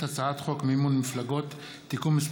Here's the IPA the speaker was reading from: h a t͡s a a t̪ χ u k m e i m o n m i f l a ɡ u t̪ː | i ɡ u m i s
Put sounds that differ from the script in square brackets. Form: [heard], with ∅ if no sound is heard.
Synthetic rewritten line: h a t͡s a a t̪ χ [o] k m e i m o n m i f l a ɡ [o] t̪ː | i [k] u m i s